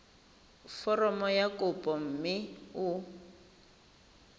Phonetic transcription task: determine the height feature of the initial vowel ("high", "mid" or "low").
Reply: mid